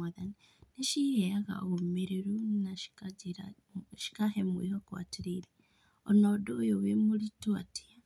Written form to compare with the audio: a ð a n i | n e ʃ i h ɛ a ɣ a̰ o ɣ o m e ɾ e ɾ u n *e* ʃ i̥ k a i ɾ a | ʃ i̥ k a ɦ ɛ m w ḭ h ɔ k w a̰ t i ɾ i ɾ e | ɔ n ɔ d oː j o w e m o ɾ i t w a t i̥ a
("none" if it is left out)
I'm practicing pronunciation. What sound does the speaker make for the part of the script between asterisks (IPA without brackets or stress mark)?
a